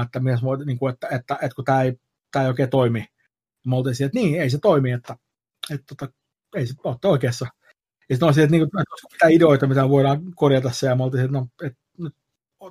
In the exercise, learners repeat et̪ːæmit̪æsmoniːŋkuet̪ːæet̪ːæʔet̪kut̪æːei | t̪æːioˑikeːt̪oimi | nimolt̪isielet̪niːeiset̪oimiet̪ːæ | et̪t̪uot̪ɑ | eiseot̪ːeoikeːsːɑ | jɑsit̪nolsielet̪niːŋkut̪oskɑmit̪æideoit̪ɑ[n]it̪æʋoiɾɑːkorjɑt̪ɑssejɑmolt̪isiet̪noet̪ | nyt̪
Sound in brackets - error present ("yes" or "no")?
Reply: yes